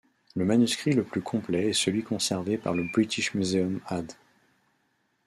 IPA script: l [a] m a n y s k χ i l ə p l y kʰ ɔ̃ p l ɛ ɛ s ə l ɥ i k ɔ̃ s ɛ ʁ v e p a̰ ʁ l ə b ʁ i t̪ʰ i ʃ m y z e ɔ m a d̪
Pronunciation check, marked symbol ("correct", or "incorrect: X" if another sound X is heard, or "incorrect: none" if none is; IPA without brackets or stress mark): incorrect: ə